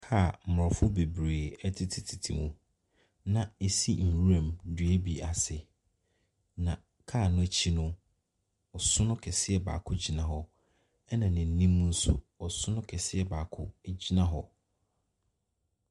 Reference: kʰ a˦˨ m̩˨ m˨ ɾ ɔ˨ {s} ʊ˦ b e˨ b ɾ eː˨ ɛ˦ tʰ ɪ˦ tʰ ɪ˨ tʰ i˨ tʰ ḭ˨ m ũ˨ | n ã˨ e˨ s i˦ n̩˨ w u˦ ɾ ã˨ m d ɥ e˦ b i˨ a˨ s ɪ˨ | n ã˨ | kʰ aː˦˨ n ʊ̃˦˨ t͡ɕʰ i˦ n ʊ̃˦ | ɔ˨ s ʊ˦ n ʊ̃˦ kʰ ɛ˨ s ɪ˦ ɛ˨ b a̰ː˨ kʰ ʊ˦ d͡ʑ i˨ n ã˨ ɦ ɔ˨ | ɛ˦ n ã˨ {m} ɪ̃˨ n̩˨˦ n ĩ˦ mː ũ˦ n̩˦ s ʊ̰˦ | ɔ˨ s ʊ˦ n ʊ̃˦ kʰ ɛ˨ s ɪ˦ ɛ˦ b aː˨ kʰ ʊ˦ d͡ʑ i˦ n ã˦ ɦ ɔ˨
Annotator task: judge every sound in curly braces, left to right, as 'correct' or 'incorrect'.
incorrect: f, incorrect: n

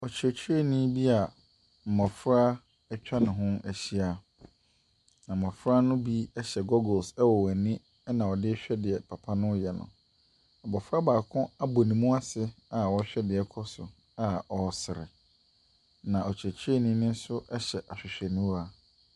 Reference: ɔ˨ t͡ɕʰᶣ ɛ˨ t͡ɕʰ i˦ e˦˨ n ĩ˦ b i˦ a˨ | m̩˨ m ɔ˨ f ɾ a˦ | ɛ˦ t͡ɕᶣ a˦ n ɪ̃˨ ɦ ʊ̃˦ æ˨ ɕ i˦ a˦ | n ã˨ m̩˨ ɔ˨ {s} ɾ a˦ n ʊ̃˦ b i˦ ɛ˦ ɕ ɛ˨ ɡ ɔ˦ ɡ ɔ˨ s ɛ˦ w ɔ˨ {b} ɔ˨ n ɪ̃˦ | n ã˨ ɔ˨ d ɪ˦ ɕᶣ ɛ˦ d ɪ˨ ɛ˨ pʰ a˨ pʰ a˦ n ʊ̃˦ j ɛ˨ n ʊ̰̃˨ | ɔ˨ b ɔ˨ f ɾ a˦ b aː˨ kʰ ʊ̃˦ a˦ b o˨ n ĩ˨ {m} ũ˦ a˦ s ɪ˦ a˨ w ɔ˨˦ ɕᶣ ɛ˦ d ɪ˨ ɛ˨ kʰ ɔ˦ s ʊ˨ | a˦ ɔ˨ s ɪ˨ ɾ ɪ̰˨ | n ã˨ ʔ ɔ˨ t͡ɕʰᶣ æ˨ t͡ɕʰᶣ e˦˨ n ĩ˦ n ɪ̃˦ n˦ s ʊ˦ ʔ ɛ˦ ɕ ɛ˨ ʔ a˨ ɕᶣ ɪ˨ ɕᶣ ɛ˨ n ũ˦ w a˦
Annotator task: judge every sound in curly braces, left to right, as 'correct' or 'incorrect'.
incorrect: f, incorrect: w, correct

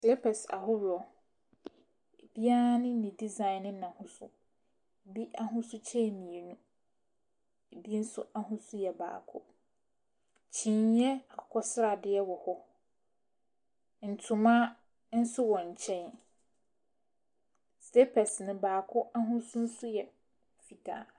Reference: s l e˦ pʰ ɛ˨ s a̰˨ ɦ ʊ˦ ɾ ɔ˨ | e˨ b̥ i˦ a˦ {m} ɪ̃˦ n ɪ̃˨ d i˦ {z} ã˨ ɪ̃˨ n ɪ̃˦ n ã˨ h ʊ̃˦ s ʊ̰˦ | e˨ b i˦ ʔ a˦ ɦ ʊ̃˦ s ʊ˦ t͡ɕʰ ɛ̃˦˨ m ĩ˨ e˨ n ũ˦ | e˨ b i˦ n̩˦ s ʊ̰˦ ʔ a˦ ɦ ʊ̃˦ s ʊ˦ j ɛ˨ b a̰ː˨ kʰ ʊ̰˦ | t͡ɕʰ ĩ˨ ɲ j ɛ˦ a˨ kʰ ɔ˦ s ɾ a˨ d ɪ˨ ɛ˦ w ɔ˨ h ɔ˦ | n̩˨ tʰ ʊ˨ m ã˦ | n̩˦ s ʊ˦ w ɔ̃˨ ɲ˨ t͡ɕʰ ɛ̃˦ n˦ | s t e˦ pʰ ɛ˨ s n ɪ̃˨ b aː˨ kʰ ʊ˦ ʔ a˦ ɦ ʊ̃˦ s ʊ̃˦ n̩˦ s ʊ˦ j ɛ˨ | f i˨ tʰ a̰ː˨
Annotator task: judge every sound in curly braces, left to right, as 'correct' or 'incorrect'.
incorrect: n, correct

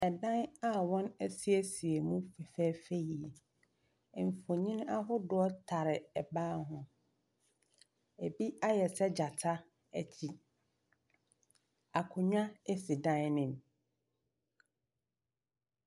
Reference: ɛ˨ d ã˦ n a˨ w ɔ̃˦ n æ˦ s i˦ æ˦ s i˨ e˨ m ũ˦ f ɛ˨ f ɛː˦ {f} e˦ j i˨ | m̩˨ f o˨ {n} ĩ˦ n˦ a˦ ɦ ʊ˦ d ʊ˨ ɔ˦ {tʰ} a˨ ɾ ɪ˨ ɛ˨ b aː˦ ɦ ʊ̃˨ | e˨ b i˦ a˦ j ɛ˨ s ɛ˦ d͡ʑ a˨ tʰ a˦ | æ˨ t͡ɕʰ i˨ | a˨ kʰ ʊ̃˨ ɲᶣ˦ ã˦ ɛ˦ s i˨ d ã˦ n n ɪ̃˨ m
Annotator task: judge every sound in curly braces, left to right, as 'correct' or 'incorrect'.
correct, incorrect: ɲ, correct

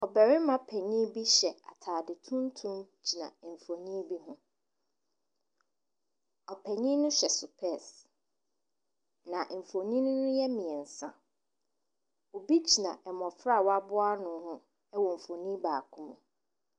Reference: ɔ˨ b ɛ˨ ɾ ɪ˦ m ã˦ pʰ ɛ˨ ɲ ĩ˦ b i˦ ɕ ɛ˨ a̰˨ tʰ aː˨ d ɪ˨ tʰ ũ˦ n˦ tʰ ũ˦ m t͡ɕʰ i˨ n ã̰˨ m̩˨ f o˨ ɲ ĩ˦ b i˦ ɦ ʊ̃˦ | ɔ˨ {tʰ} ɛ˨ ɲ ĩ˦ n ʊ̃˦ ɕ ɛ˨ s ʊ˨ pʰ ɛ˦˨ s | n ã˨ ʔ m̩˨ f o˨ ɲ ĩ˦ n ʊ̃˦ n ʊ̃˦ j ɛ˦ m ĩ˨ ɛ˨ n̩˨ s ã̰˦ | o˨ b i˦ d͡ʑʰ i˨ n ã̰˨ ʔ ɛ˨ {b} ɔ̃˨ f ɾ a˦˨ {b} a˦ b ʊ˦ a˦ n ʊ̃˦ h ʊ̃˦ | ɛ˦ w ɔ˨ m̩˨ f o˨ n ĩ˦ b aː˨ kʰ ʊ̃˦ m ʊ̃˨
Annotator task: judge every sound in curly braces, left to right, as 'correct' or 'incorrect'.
incorrect: pʰ, incorrect: m, incorrect: w

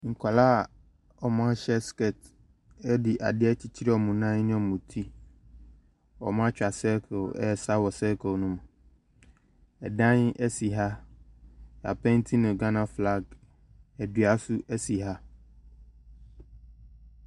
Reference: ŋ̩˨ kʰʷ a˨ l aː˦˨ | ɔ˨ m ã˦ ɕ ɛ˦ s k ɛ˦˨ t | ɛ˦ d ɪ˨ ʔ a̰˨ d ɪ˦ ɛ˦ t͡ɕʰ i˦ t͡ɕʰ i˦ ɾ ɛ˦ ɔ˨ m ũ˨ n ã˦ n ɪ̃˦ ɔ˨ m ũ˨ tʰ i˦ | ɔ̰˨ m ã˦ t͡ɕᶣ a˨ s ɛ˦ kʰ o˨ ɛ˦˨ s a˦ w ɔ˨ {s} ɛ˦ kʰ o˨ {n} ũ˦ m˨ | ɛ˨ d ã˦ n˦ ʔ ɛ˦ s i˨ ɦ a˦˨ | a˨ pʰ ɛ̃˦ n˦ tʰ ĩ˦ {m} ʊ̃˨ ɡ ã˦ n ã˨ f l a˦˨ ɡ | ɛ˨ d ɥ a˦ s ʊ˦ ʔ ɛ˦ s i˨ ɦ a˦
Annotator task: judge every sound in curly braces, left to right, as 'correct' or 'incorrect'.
correct, correct, incorrect: n

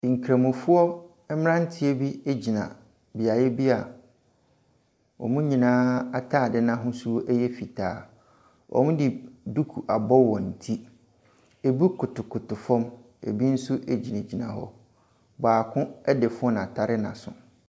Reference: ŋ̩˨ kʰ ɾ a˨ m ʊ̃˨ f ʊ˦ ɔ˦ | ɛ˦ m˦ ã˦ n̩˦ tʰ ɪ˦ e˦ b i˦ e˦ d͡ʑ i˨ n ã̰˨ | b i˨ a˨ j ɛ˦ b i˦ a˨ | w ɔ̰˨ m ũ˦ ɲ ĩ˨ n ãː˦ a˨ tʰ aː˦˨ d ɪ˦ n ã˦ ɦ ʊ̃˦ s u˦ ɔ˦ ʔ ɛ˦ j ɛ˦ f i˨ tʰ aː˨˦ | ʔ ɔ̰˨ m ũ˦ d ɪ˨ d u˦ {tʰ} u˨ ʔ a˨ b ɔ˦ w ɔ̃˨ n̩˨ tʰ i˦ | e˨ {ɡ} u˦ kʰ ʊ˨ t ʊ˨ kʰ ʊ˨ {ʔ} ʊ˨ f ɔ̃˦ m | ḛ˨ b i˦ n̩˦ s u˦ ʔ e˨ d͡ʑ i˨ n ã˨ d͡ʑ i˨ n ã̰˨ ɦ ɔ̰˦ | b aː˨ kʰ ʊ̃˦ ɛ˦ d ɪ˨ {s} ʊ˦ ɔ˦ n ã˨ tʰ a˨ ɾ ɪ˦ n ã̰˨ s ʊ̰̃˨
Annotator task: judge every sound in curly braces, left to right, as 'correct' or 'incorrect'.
incorrect: kʰ, incorrect: b, incorrect: t, incorrect: f

